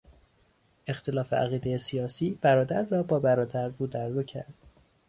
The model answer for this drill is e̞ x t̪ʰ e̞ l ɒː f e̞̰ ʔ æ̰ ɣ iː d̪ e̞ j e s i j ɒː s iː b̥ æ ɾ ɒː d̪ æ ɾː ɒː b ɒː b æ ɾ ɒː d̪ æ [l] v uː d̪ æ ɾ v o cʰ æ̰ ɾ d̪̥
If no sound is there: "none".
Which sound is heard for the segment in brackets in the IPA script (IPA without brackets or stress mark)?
ɾ